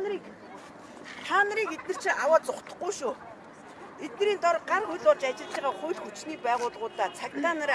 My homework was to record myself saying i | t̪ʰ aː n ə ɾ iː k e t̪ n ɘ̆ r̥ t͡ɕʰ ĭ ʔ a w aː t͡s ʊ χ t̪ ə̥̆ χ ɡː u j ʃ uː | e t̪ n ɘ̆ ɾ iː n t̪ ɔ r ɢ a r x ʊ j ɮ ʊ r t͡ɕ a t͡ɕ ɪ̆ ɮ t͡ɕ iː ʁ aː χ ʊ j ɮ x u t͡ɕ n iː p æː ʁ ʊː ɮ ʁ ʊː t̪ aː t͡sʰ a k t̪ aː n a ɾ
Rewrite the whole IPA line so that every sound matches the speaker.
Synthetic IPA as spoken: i | t̪ʰ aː n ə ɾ iː k e t̪ n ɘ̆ r̥ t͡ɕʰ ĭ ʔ a w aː t͡s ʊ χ t̪ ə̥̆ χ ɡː u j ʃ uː | e t̪ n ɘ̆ ɾ iː n t̪ ɔ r ɢ a r x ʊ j ɮ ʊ r t͡ɕ a t͡ɕ ɪ̆ ɮ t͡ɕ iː ʁ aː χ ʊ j ɮ x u t͡ɕ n iː p æː ʁ ʊː ɮ ʁ ʊː t̪ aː t͡sʰ a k t̪ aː n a ɾ